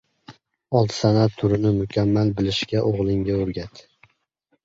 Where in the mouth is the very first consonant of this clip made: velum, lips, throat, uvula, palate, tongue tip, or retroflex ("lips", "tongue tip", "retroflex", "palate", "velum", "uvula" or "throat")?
tongue tip